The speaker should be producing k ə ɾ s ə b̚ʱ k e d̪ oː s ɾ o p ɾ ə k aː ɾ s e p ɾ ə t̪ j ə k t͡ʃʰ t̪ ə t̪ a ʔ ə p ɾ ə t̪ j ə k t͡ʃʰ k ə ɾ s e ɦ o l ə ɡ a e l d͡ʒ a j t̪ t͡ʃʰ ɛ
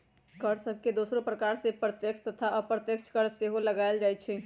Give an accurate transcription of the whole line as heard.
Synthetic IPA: k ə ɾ s ə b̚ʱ k e d̪ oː s ɾ o p ɾ ə k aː ɾ s e p ɾ ə t̪ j ə k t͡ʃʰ t̪ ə t̪ʰ a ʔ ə p ɾ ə t̪ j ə k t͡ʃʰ k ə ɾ s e ɦ o l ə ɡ a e l d͡ʒ a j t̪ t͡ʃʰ ɛ